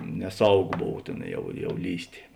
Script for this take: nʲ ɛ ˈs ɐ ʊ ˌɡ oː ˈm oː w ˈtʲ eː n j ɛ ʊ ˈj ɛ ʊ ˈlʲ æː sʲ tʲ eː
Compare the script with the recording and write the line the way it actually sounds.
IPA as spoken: nʲ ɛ ˈs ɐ ʊ ˌɡ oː ˈb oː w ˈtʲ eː n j ɛ ʊ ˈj ɛ ʊ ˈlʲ iː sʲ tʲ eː